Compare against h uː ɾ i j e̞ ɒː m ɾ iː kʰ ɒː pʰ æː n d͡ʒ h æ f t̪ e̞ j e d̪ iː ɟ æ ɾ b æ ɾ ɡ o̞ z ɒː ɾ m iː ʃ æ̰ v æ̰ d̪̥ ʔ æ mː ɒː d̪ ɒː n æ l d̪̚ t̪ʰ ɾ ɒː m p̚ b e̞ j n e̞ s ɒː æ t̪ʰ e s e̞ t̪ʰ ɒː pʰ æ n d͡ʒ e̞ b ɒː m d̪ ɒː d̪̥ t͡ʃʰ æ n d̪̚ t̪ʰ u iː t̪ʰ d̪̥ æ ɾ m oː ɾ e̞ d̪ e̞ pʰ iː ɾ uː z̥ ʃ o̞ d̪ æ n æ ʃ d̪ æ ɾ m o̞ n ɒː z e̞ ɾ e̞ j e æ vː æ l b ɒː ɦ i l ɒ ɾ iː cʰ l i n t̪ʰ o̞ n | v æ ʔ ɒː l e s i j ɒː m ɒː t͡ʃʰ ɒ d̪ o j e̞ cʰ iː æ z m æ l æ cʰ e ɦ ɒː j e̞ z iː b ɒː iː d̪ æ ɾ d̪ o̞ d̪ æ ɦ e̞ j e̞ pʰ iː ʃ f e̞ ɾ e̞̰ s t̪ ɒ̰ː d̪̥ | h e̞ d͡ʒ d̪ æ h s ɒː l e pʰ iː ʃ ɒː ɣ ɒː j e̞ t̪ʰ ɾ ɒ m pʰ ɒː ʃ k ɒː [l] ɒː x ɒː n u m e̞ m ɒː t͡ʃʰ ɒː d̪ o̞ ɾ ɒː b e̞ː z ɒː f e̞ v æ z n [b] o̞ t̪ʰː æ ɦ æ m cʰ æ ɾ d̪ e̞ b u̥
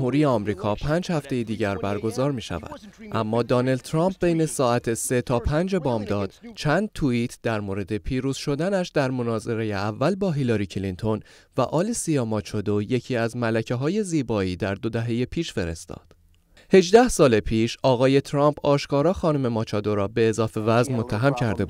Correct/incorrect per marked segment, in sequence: incorrect: ɾ, incorrect: m

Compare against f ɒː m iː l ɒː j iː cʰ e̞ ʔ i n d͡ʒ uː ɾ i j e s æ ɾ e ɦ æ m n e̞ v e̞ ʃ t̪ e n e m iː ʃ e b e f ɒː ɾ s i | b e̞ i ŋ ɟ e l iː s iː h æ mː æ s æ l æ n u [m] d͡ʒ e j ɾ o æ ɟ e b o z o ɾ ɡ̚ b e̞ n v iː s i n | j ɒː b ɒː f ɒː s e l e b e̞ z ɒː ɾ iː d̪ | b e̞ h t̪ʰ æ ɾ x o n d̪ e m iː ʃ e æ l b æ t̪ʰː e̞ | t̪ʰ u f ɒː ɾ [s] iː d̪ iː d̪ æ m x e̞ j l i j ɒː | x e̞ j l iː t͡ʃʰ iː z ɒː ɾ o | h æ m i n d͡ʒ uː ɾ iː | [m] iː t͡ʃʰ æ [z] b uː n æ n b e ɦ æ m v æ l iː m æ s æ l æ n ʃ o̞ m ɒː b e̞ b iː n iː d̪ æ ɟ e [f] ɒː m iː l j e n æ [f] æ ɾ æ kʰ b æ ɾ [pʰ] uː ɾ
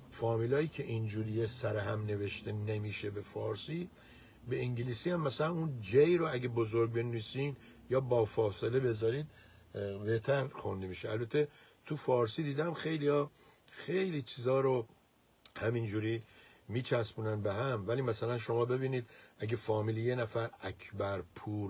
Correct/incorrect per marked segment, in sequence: incorrect: n, correct, correct, incorrect: s, correct, correct, correct

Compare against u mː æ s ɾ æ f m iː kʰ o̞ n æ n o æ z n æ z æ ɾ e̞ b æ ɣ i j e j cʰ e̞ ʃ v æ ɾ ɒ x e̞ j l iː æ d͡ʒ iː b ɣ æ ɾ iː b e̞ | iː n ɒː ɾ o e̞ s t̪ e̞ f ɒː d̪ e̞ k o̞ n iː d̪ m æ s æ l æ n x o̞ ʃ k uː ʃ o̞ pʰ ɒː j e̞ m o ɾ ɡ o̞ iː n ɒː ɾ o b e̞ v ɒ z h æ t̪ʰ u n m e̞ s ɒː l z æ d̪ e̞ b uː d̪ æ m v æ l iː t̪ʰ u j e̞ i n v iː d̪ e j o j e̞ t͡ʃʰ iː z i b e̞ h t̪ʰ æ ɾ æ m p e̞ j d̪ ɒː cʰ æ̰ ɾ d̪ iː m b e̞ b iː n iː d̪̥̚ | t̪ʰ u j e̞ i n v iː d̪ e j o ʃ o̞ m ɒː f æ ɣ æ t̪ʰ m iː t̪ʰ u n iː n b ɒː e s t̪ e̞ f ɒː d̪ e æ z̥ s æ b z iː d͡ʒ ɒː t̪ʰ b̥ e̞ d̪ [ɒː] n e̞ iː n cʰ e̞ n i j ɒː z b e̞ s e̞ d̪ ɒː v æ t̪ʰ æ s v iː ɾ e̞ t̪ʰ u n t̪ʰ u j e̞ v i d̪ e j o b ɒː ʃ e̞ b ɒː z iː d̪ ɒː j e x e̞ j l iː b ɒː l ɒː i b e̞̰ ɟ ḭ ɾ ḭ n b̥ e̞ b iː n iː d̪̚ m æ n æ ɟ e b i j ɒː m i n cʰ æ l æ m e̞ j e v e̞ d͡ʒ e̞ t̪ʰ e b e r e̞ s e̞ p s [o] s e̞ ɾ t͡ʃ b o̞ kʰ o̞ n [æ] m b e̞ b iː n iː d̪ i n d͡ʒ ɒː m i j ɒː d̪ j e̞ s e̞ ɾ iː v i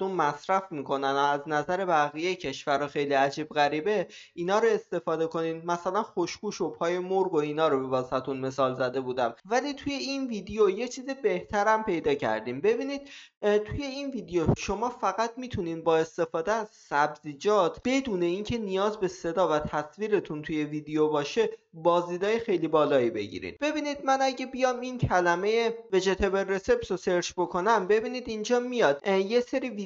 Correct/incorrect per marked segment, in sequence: incorrect: uː, correct, correct

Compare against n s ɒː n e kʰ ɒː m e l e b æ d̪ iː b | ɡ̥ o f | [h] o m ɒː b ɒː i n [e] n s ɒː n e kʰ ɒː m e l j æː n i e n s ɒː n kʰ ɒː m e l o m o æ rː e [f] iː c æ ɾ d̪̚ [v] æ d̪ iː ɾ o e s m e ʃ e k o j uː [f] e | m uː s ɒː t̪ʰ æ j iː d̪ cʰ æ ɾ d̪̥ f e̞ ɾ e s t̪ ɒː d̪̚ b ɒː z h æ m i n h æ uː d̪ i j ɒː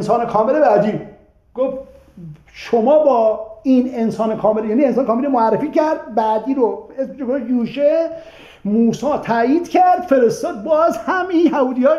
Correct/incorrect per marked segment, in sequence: incorrect: ʃ, correct, correct, incorrect: b, incorrect: ʃ

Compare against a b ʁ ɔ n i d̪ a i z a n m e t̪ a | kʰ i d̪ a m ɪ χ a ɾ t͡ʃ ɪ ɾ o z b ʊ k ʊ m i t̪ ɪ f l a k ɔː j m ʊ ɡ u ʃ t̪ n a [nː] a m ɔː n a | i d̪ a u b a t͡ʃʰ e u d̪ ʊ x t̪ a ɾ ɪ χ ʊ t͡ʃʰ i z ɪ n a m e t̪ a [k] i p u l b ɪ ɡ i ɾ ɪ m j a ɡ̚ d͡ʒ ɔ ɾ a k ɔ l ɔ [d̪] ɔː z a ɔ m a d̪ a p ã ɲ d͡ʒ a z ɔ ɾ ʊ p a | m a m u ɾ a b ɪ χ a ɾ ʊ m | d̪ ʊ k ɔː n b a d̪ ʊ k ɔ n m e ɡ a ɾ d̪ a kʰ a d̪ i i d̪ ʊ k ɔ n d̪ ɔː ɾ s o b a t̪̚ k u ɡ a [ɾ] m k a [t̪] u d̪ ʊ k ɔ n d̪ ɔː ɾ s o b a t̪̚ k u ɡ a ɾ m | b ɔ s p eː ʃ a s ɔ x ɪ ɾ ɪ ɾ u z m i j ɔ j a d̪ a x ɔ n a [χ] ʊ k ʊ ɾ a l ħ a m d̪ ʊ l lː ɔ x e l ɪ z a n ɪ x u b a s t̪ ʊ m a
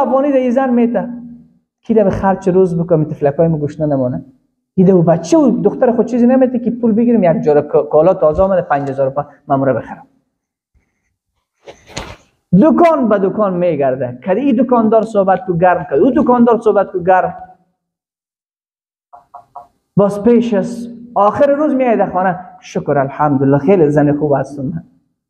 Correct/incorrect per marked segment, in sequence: incorrect: n, correct, incorrect: t̪, correct, incorrect: d̪, incorrect: ʃ

